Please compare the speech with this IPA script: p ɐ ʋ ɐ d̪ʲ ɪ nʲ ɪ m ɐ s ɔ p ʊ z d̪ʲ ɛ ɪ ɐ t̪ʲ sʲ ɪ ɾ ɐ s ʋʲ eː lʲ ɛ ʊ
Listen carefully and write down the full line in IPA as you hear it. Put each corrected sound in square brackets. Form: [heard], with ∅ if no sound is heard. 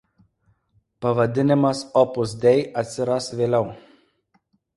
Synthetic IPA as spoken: p ɐ ʋ ɐ d̪ʲ ɪ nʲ ɪ m ɐ s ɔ p ʊ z d̪ʲ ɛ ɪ ɐ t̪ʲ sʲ ɪ ɾ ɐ s ʋʲ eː lʲ ɛ ʊ